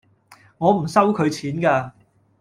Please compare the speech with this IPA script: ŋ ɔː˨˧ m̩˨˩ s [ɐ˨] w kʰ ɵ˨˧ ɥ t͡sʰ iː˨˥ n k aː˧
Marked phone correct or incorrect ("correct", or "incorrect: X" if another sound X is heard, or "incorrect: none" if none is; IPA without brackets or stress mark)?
incorrect: ɐ˥